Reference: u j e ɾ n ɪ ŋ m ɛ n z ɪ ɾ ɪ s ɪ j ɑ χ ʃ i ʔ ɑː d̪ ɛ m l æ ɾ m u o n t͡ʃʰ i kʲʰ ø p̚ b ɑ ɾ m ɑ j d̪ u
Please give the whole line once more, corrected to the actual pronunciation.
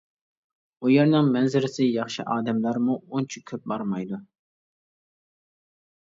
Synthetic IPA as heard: u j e ɾ n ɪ ŋ m ɛ n z ɪ ɾ ɪ s ɪ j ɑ χ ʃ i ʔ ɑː d̪ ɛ m l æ ɾ m u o n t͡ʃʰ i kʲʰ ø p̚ b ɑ ɾ m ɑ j d̪ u